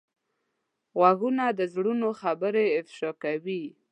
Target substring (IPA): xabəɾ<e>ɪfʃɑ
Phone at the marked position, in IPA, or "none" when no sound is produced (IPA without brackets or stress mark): e